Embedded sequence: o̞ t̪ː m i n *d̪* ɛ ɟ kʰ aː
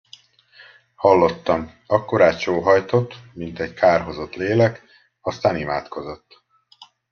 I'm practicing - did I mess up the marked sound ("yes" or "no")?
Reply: yes